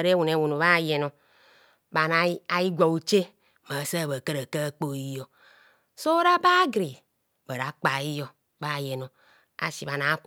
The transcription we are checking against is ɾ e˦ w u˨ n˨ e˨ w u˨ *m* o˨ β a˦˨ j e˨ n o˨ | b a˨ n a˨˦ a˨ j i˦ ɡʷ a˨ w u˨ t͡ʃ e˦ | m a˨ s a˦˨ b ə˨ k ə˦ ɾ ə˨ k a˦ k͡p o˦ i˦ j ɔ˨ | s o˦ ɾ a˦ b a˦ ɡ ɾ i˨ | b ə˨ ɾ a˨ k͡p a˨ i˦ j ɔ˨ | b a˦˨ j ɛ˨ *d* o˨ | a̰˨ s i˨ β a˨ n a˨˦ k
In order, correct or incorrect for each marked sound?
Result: incorrect, incorrect

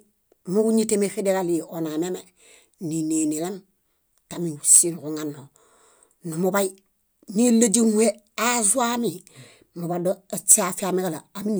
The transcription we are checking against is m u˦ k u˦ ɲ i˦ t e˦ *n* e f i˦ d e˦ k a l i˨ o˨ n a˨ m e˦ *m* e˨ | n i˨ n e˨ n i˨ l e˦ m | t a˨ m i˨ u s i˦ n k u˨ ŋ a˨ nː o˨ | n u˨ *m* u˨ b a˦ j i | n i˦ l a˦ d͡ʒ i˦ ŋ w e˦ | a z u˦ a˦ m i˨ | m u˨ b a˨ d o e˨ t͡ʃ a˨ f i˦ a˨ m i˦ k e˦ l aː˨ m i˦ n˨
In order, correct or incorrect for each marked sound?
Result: incorrect, correct, correct

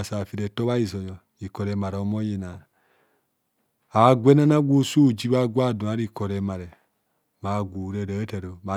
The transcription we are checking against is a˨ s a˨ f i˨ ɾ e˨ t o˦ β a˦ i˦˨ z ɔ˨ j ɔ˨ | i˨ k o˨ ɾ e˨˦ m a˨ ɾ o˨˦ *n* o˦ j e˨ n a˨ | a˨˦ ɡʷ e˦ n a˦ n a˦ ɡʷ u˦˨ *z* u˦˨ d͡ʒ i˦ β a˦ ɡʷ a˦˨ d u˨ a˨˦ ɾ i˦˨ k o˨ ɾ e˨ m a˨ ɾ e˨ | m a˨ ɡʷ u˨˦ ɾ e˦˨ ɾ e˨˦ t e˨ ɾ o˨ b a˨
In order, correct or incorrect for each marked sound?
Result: incorrect, incorrect

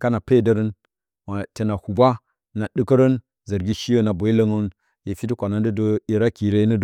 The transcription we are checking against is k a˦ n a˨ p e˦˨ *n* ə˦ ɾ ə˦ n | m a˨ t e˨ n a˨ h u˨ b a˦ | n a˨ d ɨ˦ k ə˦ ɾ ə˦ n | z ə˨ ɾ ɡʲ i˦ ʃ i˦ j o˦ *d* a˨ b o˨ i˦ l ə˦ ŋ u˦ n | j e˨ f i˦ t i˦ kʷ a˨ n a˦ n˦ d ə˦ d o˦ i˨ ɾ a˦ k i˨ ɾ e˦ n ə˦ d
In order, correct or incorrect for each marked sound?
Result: incorrect, incorrect

